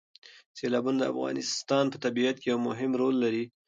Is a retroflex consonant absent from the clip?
yes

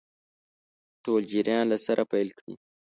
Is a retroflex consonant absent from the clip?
no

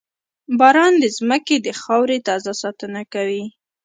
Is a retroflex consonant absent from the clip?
yes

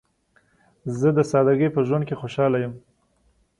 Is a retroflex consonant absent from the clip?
yes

